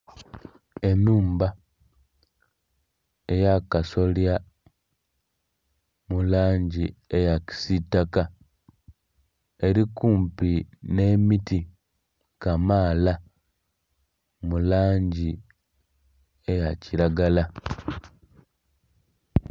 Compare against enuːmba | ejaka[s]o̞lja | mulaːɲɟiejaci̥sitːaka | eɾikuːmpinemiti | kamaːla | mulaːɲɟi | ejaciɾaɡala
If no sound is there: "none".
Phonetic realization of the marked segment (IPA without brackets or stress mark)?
s